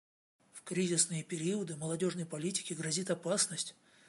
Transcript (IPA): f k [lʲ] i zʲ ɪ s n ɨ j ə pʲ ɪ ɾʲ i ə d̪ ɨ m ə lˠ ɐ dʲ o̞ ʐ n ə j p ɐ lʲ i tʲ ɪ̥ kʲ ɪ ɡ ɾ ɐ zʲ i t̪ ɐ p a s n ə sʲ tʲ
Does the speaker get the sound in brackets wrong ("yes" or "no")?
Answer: yes